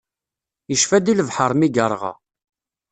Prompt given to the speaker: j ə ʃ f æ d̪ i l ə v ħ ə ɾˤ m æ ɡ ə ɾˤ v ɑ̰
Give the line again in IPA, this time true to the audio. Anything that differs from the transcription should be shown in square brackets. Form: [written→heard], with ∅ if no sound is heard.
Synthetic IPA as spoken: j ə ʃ f æ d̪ i l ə v ħ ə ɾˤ m [æ→i] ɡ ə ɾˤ [v→ʁ] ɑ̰